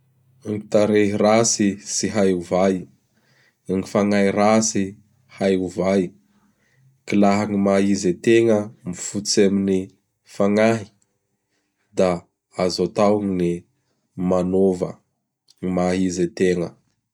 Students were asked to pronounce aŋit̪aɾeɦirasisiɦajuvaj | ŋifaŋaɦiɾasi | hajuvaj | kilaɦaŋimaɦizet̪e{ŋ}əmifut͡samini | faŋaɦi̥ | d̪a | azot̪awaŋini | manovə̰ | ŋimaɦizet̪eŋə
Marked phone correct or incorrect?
correct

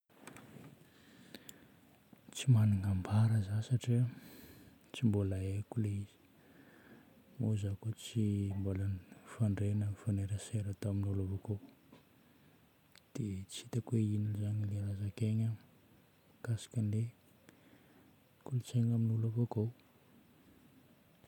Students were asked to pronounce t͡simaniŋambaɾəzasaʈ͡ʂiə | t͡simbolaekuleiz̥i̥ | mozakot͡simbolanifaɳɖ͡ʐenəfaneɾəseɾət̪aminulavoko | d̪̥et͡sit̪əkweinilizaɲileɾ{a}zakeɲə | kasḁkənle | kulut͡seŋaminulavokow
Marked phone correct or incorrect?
correct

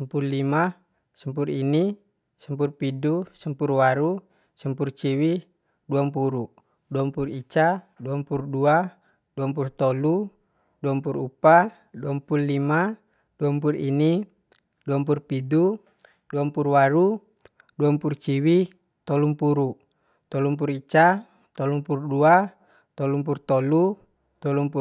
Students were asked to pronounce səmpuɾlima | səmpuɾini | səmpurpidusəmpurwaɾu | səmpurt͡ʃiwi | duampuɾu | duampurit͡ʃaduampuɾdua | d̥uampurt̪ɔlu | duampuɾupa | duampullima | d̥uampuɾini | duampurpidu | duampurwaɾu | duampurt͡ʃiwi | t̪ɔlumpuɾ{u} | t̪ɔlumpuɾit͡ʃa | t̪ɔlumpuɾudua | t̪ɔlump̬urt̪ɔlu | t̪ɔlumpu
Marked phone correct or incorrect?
correct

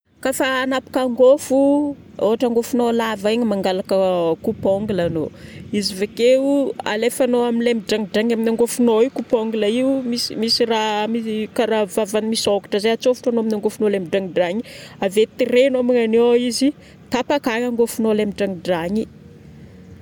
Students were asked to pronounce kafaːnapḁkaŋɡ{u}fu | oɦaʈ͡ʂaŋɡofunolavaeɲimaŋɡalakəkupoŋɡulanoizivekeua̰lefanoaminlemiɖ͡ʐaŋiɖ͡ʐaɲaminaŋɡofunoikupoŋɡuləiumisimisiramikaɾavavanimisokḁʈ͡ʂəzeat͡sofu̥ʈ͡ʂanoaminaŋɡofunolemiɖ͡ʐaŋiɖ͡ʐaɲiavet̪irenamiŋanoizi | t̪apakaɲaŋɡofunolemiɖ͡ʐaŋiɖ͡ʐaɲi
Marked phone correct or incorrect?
incorrect: o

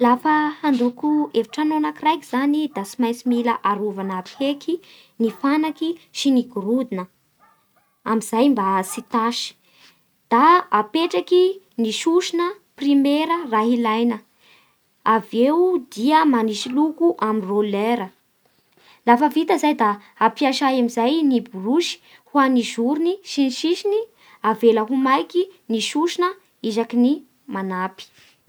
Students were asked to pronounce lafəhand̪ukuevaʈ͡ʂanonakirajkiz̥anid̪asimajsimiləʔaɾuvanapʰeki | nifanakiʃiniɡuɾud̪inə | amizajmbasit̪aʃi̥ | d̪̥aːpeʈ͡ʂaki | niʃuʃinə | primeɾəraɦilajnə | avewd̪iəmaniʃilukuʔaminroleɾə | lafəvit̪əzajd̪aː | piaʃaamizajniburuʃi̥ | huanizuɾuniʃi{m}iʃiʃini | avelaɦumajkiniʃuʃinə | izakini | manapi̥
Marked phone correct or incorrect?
incorrect: n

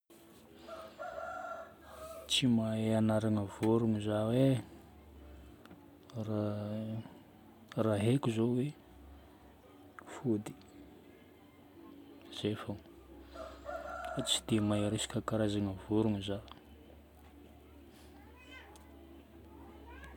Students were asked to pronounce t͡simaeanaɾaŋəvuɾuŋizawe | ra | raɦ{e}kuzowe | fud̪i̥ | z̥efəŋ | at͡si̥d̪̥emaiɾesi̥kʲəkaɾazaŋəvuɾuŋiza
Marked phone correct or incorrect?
correct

